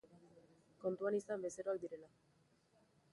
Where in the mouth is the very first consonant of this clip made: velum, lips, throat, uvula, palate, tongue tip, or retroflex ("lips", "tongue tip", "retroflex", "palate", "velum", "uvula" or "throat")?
velum